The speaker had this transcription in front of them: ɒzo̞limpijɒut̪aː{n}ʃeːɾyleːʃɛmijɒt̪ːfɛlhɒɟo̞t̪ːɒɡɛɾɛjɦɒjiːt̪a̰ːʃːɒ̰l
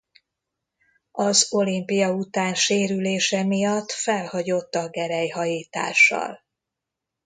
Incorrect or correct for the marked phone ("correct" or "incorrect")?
correct